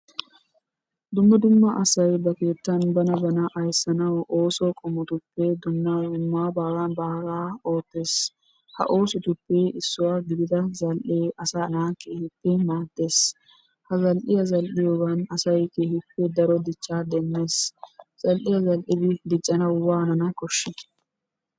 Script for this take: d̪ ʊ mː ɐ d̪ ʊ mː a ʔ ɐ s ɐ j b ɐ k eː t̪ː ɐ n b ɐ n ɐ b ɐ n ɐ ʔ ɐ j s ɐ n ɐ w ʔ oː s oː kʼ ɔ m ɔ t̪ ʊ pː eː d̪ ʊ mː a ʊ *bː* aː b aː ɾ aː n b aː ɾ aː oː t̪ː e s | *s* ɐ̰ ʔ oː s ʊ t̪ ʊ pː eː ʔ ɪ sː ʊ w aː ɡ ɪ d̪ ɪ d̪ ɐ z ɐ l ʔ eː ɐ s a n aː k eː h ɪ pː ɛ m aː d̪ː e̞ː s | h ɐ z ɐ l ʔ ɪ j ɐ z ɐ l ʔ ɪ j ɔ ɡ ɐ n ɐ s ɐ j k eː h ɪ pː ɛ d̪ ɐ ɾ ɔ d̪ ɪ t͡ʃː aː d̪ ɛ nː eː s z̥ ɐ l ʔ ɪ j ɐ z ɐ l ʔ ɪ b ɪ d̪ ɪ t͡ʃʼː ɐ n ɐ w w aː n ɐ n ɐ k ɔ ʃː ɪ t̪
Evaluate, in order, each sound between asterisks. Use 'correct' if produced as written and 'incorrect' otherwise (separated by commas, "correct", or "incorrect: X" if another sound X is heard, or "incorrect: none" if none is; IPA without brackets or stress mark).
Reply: incorrect: mː, incorrect: h